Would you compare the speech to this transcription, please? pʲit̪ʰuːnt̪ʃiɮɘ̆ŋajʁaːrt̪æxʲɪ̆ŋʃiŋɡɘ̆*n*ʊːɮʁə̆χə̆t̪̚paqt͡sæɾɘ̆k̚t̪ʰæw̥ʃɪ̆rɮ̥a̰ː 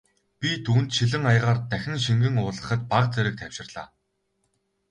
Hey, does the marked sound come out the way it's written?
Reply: no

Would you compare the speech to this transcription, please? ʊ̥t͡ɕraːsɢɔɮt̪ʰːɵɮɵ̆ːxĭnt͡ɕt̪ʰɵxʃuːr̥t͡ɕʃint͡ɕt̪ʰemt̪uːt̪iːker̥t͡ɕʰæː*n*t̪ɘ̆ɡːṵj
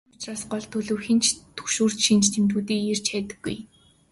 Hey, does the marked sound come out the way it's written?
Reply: no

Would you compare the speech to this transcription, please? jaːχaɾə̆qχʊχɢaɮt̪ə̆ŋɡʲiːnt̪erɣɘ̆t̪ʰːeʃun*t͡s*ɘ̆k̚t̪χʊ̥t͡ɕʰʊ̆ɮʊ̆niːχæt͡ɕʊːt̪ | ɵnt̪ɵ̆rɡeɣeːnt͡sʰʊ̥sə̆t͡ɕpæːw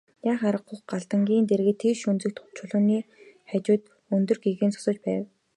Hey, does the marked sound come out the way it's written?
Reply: yes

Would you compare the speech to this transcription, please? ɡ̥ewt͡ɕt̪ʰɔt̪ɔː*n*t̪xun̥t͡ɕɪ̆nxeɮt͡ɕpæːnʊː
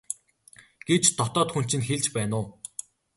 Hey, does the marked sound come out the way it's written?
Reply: no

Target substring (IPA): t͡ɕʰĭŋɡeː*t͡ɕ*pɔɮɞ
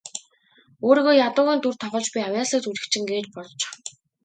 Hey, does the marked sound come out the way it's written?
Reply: yes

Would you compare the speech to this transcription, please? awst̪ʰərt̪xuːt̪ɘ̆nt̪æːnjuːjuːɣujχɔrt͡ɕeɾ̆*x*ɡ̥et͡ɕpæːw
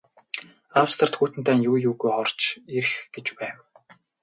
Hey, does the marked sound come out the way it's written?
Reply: yes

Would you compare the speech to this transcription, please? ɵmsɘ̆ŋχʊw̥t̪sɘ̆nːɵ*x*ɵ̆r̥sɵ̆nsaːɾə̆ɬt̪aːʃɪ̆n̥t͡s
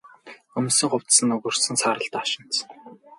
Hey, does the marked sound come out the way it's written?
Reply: no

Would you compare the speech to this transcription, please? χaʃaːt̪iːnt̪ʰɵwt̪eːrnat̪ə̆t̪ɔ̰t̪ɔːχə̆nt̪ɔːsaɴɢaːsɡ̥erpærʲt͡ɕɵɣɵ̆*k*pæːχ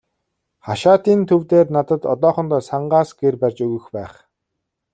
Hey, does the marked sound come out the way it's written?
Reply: no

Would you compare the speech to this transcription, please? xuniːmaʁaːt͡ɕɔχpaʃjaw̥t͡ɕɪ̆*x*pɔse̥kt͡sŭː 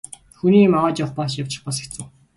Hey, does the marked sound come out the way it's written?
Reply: no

